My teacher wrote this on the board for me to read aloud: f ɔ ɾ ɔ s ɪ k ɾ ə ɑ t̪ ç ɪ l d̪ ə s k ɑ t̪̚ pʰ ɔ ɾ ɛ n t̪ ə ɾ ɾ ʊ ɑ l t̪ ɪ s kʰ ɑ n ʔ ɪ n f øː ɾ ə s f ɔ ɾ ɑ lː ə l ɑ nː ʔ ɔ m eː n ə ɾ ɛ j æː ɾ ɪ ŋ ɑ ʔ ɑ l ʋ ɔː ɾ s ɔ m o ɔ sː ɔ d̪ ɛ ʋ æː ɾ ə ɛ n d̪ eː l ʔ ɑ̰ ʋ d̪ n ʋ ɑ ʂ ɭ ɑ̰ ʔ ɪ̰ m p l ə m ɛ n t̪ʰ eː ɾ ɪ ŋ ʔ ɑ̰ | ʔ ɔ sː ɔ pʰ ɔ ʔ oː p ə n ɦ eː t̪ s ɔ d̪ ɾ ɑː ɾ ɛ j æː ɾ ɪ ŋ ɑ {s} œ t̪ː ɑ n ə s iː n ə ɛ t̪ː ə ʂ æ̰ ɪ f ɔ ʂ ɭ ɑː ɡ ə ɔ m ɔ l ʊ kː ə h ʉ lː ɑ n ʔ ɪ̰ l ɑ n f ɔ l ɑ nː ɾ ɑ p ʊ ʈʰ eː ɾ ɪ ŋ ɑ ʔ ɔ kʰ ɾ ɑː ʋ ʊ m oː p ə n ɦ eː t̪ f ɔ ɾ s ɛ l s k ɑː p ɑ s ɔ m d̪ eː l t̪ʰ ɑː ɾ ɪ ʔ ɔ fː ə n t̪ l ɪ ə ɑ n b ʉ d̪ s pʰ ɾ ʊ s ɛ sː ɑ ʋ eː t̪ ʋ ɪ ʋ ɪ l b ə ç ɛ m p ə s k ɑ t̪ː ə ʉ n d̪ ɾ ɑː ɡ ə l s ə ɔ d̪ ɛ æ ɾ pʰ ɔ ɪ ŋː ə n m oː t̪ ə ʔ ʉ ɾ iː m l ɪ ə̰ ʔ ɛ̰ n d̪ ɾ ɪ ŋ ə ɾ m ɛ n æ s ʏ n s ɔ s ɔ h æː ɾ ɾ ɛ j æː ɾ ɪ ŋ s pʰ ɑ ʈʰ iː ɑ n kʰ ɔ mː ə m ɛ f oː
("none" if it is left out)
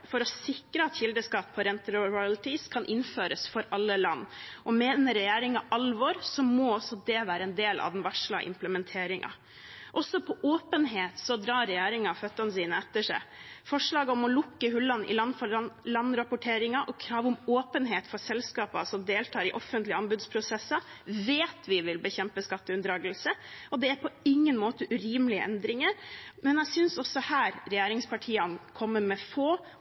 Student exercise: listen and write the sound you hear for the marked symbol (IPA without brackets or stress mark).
f